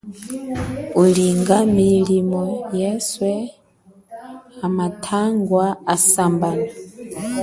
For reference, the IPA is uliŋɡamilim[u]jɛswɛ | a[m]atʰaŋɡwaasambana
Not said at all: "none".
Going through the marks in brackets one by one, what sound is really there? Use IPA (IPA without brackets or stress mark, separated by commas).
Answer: ɔ, m